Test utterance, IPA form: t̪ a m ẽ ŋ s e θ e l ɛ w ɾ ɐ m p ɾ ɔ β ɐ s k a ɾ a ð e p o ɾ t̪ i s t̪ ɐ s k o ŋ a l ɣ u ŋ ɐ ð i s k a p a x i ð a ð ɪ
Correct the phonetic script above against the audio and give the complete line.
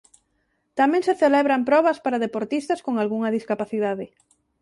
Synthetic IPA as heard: t̪ a m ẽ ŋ s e θ e l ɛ β ɾ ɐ m p ɾ ɔ β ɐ s p a ɾ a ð e p o ɾ t̪ i s t̪ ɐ s k o ŋ a l ɣ u ŋ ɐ ð i s k a p a θ i ð a ð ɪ